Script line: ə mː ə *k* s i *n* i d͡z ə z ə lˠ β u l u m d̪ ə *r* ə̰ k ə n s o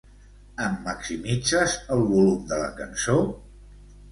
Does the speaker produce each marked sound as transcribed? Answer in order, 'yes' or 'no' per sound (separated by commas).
yes, no, no